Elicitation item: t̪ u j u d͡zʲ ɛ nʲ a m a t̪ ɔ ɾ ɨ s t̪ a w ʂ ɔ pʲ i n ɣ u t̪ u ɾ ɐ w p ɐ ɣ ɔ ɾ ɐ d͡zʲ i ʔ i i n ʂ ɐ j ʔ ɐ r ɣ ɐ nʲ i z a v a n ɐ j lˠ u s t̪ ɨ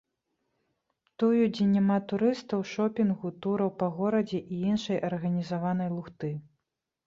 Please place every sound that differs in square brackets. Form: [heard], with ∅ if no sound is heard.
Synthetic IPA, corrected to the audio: t̪ u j u d͡zʲ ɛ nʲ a m a t̪ [u] ɾ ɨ s t̪ [ɐ] w ʂ ɔ pʲ i n ɣ u t̪ u ɾ ɐ w p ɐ ɣ ɔ ɾ ɐ d͡zʲ [ɛ] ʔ i i n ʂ ɐ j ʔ ɐ r ɣ ɐ nʲ i z a v a n ɐ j lˠ u [x] t̪ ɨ